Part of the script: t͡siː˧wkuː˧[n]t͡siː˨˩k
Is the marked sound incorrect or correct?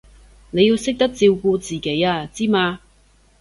incorrect